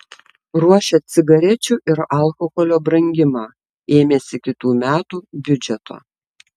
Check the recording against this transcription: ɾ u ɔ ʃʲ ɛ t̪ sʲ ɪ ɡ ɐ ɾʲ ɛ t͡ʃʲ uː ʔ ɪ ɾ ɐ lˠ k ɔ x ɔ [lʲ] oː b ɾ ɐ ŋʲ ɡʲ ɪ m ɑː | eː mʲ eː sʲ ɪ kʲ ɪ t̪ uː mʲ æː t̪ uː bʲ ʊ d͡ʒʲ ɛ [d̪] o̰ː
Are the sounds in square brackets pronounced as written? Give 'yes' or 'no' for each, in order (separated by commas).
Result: yes, no